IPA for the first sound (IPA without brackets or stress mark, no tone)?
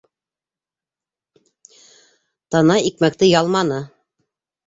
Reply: t̪